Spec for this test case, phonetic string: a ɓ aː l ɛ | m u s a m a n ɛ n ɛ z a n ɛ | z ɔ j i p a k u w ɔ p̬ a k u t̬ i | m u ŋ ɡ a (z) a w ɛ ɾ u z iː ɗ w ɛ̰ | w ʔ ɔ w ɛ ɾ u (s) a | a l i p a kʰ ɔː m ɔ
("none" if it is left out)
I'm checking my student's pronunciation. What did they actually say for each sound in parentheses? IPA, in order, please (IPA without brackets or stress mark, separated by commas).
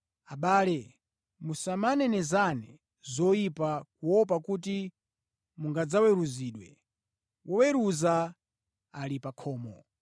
d͡z, z